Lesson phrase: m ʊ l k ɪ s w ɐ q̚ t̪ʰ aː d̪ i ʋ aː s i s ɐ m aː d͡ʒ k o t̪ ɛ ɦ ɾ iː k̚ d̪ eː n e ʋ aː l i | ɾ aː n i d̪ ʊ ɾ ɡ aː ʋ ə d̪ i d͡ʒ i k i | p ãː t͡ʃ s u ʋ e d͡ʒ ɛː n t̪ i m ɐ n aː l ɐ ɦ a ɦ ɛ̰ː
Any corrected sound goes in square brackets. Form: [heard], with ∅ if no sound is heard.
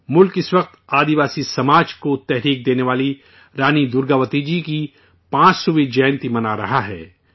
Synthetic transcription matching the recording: m ʊ l k ɪ s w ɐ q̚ [t̪] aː d̪ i ʋ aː s i s ɐ m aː d͡ʒ k o t̪ ɛ ɦ ɾ iː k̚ d̪ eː n e ʋ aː l i | ɾ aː n i d̪ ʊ ɾ ɡ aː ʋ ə [t̪] i d͡ʒ i k i | p ãː t͡ʃ s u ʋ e d͡ʒ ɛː n t̪ i m ɐ n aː [ɾ] ɐ ɦ a ɦ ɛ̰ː